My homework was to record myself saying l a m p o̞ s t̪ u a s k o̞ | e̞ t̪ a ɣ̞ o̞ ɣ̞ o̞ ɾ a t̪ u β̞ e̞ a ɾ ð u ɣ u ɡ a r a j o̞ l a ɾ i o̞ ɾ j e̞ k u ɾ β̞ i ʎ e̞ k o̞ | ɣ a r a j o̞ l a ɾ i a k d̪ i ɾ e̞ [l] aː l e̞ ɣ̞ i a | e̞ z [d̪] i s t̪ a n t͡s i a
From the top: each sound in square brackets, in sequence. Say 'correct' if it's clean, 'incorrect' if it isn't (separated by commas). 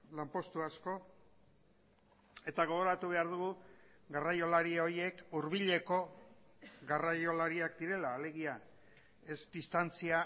correct, correct